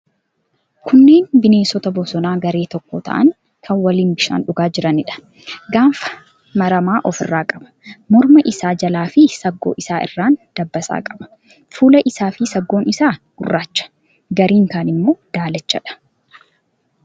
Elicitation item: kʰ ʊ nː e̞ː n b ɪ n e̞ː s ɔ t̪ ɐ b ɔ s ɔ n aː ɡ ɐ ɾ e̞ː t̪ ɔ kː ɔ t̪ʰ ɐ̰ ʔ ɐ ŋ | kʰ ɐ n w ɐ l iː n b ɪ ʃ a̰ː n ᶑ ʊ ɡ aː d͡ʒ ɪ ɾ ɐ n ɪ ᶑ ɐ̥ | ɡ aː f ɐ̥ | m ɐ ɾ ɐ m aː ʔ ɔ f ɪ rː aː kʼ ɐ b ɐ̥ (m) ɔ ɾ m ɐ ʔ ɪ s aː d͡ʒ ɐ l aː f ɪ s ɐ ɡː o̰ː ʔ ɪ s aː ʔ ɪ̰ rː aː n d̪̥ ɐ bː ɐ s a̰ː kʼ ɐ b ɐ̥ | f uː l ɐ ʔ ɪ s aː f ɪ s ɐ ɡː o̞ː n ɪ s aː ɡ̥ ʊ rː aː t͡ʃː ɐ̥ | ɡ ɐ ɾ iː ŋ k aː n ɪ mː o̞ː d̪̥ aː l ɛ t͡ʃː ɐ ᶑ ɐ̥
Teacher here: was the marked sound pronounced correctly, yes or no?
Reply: yes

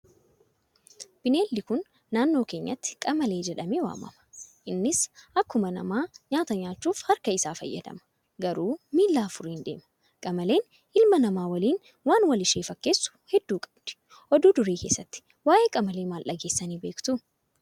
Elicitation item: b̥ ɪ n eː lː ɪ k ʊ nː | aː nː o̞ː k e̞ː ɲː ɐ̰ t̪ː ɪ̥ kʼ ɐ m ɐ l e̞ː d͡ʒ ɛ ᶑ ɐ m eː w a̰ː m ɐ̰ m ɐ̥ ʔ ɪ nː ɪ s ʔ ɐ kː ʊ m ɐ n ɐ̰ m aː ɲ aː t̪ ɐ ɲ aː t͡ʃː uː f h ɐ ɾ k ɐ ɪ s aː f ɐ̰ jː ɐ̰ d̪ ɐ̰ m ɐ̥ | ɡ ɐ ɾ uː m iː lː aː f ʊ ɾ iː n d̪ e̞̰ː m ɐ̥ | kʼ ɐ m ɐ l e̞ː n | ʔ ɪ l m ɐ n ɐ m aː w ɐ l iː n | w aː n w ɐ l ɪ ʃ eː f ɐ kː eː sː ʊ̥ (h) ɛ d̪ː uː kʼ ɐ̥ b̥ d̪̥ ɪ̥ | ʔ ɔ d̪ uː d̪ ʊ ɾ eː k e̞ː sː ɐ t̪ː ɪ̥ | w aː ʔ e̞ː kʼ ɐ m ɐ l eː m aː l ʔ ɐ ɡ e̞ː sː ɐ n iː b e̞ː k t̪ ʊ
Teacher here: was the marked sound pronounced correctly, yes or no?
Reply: yes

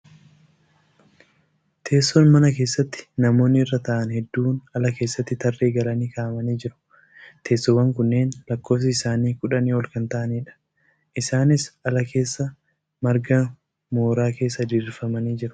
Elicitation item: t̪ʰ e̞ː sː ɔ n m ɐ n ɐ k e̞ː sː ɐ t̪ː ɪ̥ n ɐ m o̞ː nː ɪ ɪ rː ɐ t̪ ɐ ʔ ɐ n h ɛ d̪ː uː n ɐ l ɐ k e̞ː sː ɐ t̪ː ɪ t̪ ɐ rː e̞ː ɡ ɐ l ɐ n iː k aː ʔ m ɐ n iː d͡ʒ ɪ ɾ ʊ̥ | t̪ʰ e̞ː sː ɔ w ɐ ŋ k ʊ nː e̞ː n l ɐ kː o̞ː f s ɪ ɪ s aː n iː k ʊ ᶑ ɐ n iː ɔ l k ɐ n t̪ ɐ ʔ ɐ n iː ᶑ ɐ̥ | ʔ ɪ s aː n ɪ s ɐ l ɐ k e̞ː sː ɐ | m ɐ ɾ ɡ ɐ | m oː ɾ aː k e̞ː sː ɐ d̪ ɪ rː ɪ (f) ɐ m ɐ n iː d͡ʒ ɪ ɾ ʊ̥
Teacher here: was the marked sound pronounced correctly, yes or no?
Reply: yes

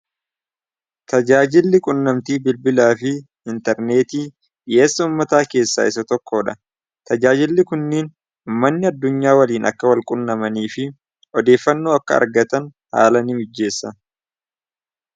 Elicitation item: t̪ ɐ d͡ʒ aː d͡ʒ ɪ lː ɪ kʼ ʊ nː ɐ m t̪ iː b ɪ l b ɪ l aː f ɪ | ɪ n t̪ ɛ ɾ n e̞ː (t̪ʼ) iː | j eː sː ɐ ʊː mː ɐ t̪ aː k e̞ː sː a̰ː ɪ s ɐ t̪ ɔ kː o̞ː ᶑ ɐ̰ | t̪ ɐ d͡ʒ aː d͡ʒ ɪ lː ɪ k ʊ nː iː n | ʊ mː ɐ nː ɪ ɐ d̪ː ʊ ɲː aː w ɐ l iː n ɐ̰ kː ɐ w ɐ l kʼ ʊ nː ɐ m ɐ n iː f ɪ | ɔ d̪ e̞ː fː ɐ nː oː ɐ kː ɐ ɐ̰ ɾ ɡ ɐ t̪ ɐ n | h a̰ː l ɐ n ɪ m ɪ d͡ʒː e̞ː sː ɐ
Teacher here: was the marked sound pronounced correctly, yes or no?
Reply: no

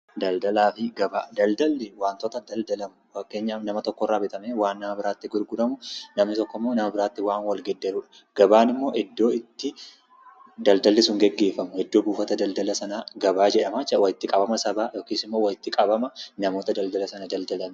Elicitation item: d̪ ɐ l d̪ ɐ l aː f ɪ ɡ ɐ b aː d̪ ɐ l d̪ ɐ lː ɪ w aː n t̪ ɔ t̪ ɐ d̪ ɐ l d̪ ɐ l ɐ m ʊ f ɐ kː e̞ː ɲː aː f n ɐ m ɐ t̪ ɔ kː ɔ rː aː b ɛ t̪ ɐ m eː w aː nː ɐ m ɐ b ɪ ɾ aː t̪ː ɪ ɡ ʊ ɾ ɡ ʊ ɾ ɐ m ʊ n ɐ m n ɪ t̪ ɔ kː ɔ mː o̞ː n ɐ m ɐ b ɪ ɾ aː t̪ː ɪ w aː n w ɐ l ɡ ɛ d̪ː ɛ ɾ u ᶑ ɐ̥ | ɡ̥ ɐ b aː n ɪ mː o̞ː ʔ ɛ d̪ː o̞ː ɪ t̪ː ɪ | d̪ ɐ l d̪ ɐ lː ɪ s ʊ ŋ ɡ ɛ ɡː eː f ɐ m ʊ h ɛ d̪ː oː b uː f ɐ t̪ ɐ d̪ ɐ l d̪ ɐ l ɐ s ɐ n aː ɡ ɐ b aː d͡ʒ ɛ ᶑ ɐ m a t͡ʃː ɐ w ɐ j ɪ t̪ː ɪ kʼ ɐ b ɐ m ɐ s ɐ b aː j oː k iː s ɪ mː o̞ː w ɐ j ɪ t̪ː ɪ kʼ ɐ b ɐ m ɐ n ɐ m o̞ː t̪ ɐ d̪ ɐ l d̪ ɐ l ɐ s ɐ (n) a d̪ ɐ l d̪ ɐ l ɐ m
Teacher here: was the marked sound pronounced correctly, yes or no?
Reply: yes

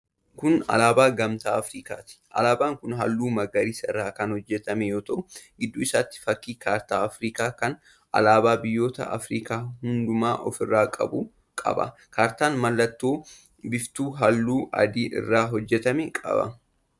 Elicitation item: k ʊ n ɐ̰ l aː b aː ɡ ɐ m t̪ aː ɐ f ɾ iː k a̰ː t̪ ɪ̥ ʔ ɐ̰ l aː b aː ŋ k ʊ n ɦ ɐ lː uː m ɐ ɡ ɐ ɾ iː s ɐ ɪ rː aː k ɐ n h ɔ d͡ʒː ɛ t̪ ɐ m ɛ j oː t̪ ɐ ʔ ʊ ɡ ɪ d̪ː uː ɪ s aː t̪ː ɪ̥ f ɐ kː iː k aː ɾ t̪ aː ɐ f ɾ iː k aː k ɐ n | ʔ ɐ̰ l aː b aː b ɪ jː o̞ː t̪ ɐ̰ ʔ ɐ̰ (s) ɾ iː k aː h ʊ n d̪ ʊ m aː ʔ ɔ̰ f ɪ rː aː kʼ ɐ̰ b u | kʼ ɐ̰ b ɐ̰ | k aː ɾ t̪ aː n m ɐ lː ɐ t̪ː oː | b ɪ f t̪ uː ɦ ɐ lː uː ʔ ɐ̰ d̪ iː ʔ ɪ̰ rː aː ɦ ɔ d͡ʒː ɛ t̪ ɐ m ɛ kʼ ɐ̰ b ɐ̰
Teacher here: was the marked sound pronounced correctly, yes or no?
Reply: no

